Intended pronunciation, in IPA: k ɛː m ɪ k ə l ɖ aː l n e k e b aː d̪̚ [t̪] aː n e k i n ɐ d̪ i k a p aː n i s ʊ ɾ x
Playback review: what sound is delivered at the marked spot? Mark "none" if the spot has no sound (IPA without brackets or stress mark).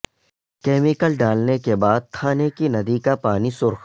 t̪ʰ